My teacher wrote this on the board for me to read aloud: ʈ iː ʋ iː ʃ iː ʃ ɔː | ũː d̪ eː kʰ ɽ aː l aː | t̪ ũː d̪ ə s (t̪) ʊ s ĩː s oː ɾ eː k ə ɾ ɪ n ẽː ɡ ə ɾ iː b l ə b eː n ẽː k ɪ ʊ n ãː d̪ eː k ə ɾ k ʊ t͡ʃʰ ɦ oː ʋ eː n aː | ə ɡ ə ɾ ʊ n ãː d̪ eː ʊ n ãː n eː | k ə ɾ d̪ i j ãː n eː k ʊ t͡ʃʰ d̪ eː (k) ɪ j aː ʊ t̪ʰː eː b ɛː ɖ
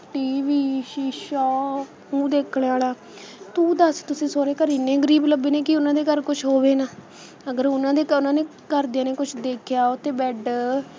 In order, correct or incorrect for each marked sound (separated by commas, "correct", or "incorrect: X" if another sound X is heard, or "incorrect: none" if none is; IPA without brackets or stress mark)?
correct, incorrect: kʰ